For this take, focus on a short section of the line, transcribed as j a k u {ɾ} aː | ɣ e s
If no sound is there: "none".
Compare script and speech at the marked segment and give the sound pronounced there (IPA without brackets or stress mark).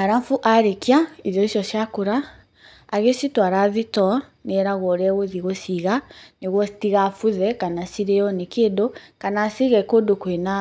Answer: ɾ